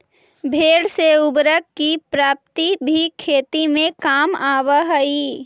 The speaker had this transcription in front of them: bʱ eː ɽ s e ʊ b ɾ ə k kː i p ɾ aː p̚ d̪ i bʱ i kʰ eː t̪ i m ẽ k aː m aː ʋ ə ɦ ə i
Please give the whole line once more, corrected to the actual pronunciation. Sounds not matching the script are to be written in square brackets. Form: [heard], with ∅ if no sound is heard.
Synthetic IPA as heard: bʱ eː ɽ s e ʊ b ɾ ə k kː i p ɾ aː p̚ [t̪] i bʱ i kʰ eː t̪ i m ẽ k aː m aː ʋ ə ɦ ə i